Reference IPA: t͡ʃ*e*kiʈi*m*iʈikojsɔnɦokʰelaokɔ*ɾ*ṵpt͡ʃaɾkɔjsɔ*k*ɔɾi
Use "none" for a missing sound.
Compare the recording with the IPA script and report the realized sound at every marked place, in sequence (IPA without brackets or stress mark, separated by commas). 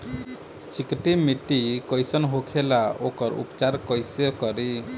i, m, ɾ, k